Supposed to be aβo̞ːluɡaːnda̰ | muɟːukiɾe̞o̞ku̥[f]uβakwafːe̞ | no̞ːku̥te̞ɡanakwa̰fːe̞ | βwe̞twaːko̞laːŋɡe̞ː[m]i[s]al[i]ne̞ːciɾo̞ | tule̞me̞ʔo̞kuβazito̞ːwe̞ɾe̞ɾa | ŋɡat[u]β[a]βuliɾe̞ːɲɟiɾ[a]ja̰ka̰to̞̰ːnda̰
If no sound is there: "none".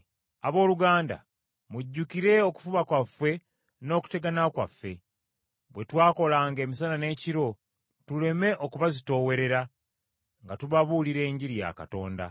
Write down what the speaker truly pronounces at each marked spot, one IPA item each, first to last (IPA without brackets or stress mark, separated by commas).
f, m, s, a, u, a, i